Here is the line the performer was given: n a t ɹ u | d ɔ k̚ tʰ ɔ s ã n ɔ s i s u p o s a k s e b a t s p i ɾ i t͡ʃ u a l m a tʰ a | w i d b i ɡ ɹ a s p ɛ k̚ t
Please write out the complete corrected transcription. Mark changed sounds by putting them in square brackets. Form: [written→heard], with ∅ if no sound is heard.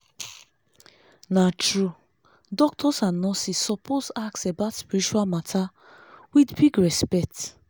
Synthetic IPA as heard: n a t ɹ u | d ɔ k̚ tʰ ɔ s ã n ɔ s i s [u→ɔ] p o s a k s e b a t s p i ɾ i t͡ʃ u a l m a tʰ a | w i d b i ɡ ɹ [a→ɛ] s p ɛ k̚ t

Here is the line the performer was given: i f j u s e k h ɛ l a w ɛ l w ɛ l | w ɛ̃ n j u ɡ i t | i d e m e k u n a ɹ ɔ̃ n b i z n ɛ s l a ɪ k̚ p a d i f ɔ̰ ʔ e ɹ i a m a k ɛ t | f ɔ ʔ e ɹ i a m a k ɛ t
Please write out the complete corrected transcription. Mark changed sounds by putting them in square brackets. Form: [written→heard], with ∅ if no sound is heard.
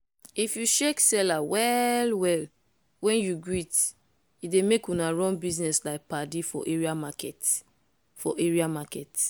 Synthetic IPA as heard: i f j u [s→ʃ] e k [h→s] ɛ l a w ɛ l w ɛ l | w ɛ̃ n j u ɡ i t | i d e m e k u n a ɹ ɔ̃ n b i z n ɛ s l a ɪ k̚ p a d i f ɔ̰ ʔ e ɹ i a m a k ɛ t | f ɔ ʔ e ɹ i a m a k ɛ t

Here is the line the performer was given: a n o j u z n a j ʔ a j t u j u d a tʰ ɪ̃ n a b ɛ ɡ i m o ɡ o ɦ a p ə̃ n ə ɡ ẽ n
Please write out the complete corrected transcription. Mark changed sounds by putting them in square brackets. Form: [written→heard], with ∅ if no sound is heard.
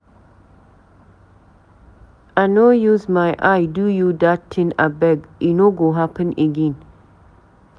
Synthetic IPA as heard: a n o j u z [n→m] a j ʔ a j [t→d] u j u d a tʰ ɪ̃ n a b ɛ ɡ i [m→n] o ɡ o ɦ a p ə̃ n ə ɡ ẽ n

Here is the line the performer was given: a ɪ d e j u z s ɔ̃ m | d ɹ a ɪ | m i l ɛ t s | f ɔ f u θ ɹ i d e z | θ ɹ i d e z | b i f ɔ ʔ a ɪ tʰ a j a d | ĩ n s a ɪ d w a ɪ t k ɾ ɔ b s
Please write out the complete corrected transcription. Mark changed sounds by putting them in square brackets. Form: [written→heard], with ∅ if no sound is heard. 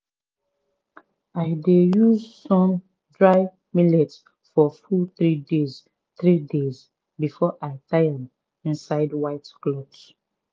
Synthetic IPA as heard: a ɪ d e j u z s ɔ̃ m | d ɹ a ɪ | m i l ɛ t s | f ɔ f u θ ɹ i d e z | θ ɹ i d e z | b i f ɔ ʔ a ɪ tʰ a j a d | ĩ n s a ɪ d w a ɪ t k [ɾ→l] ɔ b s

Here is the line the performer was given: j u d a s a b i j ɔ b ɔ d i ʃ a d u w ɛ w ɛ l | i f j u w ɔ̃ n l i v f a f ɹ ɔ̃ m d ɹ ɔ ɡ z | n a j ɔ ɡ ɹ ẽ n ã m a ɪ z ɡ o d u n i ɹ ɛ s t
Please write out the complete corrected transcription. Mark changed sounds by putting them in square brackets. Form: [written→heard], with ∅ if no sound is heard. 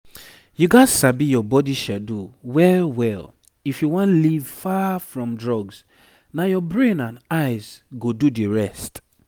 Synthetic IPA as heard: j u [d→ɡ] a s a b i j ɔ b ɔ d i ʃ a d u w ɛ w ɛ l | i f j u w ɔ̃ n l i v f a f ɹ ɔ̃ m d ɹ ɔ ɡ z | n a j ɔ [ɡ→b] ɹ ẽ n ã [m→n] a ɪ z ɡ o d u [n→d] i ɹ ɛ s t

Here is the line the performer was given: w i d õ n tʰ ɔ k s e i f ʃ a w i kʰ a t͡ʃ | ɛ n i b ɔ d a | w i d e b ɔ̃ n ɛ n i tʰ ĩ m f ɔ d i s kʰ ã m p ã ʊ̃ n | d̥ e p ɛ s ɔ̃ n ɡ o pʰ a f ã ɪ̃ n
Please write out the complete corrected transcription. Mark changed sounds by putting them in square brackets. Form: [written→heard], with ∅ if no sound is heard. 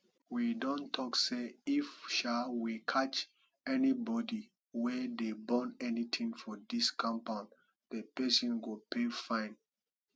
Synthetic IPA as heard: w i d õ n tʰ ɔ k s e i f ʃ a w i kʰ a t͡ʃ | ɛ n i b ɔ d [a→i] | w [i→ɛ] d e b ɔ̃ n ɛ n i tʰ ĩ [m→ŋ] f ɔ d i s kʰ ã m p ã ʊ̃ n | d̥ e p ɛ s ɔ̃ n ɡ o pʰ [a→e] f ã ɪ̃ n

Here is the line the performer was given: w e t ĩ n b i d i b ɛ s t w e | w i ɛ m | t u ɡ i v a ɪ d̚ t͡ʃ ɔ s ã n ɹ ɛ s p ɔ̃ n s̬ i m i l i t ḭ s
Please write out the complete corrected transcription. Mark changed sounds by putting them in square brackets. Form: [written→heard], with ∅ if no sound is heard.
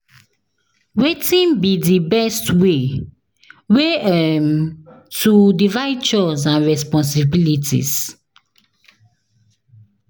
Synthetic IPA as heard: w e t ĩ n b i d i b ɛ s t w e | w [i→e] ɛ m | t u [ɡ→d] i v a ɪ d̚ t͡ʃ ɔ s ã n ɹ ɛ s p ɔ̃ n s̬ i [m→b] i l i t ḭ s

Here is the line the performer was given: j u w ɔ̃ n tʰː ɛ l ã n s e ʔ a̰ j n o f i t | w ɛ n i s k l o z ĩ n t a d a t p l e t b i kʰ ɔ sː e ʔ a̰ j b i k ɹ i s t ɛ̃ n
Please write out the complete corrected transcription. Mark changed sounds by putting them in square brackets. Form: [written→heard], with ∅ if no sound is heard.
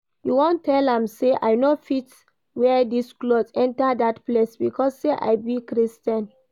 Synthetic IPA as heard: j u w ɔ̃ n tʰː ɛ l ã [n→m] s e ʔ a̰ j n o f i t | w ɛ [n→d] i s k l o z [ĩ→ɛ̃] n t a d a t p l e [t→s] b i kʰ ɔ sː e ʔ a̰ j b i k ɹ i s t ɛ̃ n

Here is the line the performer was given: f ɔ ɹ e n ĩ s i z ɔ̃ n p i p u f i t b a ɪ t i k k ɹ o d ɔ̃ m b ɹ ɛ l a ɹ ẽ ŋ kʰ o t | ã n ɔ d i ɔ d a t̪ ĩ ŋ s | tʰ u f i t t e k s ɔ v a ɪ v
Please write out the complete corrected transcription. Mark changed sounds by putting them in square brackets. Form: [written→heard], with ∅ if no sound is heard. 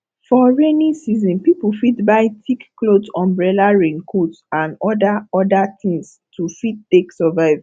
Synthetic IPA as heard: f ɔ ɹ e n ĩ s i z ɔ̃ n p i p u f i t b a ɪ t i k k [ɹ→l] o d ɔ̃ m b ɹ ɛ l a ɹ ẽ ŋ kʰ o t | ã n ɔ d [i→a] ɔ d a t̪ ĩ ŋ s | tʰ u f i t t e k s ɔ v a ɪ v

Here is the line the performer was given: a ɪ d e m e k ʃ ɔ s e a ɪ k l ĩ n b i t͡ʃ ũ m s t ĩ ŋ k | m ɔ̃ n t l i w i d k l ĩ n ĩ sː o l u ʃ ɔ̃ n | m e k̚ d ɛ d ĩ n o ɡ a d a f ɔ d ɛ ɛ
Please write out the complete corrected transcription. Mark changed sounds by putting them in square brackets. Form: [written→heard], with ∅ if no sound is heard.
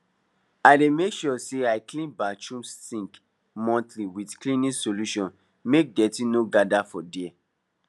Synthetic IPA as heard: a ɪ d e m e k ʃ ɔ s e a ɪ k l ĩ n b [i→a] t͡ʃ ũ m s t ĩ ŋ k | m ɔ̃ n t l i w i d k l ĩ n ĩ [sː→s] o l u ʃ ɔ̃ n | m e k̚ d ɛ [d→t] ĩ n o ɡ a d a f ɔ d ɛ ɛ

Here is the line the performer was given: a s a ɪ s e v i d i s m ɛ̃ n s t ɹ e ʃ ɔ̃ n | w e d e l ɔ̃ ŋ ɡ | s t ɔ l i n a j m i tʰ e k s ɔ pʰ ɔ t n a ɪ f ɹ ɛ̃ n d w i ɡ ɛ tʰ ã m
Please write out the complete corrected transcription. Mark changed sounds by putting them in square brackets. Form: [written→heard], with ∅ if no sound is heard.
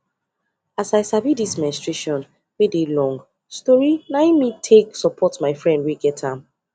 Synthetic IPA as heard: a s a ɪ s [e→a] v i d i s m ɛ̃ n s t ɹ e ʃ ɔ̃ n | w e d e l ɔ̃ ŋ ɡ | s t ɔ [l→ɹ] i n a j m i tʰ e k s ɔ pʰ ɔ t [n→m] a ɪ f ɹ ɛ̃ n d w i ɡ ɛ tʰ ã m

